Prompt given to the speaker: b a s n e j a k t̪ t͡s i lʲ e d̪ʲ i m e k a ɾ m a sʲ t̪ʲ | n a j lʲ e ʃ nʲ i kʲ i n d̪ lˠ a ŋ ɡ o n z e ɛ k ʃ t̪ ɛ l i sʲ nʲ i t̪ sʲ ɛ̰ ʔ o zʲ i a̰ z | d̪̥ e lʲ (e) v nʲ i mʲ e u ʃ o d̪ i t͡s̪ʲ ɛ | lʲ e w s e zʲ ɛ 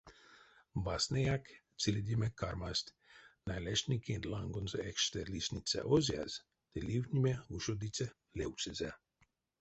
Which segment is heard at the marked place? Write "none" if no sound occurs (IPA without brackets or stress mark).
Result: i